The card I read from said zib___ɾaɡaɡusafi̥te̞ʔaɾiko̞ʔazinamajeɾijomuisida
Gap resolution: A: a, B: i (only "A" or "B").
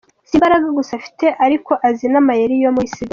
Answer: A